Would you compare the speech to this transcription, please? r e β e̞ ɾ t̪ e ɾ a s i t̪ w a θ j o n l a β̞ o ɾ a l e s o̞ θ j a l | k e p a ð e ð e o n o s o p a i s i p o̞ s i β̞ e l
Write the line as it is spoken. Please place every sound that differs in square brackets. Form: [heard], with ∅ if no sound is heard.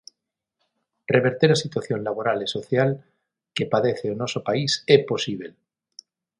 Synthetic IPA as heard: r e β e̞ ɾ t̪ e ɾ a s i t̪ w a θ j o n l a β̞ o ɾ a l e s o̞ θ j a l | k e p a ð e [θ] e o n o s o p a i s [e] p o̞ s i β̞ e l